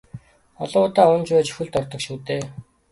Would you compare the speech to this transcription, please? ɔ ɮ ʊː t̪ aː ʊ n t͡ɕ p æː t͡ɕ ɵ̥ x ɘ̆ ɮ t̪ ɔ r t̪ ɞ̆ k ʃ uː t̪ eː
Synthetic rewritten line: ɔ ɮ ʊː t̪ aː ʊ n t͡ɕ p æː t͡ɕ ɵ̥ x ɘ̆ ɮ t̪ ɔ r t̪ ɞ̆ k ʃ uː t̪ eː